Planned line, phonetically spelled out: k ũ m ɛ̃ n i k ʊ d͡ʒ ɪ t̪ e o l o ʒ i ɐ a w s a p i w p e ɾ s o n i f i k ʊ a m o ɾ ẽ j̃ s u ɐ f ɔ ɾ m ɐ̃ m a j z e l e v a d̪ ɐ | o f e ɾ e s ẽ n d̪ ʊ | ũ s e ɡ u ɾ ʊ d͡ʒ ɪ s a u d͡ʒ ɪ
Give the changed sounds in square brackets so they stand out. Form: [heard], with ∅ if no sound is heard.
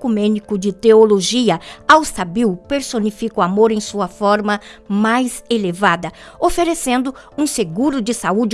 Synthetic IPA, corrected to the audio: k [u] m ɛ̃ n i k ʊ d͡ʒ ɪ t̪ e o l o ʒ i ɐ a w s a [b] i w p e ɾ s o n i f i k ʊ a m o ɾ ẽ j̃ s u ɐ f ɔ ɾ m [ɐ] m a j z e l e v a d̪ ɐ | o f e ɾ e s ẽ n d̪ ʊ | ũ s e ɡ u ɾ ʊ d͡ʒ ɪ s a u d͡ʒ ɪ